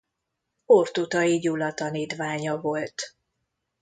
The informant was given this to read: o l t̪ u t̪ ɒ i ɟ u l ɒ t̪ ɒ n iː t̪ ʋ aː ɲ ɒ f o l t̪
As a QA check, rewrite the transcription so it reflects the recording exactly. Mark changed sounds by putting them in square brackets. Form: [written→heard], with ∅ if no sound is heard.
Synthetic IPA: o [l→r] t̪ u t̪ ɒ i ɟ u l ɒ t̪ ɒ n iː t̪ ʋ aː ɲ ɒ [f→v] o l t̪